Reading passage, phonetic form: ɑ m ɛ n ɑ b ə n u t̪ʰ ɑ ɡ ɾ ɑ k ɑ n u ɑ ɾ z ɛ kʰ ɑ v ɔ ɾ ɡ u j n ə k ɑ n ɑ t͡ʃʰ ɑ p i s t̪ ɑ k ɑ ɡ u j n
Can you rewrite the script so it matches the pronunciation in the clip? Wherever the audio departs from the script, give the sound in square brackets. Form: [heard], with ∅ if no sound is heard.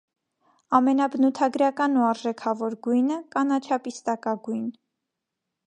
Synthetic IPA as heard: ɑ m ɛ n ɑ b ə n u t̪ʰ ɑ ɡ ɾ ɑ k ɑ n u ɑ ɾ [ʒ] ɛ kʰ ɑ v ɔ ɾ ɡ u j n ə k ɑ n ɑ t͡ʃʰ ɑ p i s t̪ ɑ k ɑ ɡ u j n